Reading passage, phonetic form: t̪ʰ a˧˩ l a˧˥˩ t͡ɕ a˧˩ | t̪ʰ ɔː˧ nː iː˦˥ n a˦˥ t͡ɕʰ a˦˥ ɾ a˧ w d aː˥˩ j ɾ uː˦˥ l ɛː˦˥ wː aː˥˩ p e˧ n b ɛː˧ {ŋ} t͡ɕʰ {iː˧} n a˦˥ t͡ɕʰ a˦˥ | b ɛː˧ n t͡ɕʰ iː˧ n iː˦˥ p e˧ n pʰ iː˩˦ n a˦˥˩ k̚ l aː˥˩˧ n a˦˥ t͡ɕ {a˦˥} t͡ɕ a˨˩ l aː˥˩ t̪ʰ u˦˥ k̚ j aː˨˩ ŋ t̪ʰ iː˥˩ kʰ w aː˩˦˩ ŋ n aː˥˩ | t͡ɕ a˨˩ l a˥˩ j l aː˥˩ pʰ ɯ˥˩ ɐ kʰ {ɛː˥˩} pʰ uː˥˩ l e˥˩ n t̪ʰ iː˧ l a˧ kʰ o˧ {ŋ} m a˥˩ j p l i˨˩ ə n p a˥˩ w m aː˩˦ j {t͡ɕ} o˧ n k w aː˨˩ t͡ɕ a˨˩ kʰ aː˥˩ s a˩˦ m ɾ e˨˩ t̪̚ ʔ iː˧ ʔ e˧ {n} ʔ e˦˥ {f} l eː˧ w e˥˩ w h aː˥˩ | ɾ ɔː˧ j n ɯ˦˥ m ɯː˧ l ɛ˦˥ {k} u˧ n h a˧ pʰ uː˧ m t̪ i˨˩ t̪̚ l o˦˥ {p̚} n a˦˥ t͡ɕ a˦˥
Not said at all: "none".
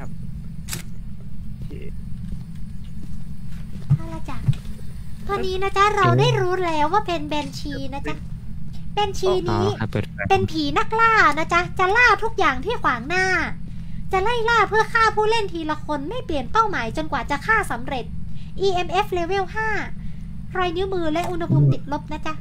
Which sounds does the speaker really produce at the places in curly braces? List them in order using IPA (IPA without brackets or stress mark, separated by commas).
n, iː˧, a˦˥, aː˥˩, n, t͡ɕ, m, f, ʔ, p̚